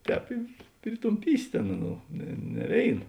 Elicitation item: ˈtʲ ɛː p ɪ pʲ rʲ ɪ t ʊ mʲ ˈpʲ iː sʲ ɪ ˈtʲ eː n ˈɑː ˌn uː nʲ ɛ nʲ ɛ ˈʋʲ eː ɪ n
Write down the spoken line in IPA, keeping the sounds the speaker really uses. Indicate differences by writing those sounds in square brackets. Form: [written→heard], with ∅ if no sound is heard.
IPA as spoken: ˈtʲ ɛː p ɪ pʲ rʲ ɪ t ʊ mʲ ˈpʲ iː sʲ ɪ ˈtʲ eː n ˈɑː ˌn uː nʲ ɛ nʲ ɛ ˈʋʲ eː ɪ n